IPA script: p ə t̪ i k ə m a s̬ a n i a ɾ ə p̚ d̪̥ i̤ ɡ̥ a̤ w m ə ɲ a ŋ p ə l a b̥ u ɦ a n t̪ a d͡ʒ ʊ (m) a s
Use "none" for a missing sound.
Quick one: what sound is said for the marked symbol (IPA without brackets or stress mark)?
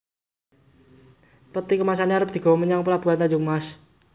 m